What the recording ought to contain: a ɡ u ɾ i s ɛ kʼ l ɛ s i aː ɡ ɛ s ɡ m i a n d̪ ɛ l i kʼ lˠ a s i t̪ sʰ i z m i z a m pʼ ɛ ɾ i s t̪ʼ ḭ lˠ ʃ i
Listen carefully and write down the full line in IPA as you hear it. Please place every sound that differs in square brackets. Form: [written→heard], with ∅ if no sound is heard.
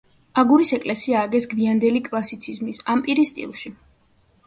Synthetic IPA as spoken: a ɡ u ɾ i s ɛ kʼ l ɛ s i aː ɡ ɛ s ɡ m i a n d̪ ɛ l i kʼ lˠ a s i t̪ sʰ i z m i [z→s] a m pʼ [ɛ→i] ɾ i s t̪ʼ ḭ lˠ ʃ i